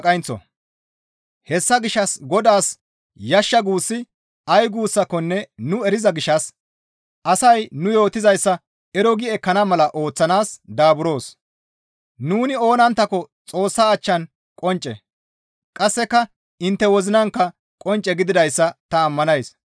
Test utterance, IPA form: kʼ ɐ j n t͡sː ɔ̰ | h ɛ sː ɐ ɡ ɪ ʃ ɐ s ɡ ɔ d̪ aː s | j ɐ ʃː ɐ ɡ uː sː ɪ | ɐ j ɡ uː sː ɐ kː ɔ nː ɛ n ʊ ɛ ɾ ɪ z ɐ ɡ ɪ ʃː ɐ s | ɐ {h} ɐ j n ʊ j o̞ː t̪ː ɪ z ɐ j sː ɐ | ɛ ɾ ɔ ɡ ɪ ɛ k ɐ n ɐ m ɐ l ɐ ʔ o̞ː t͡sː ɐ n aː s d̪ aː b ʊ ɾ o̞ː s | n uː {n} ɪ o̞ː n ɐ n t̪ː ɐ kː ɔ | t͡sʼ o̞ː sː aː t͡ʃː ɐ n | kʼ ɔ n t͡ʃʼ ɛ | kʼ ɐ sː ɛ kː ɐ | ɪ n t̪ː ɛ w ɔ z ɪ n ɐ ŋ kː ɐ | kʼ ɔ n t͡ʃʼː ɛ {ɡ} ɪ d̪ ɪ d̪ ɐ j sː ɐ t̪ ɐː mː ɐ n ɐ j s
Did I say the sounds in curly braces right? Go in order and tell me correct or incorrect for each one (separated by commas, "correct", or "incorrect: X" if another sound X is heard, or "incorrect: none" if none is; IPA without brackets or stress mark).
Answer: incorrect: s, correct, correct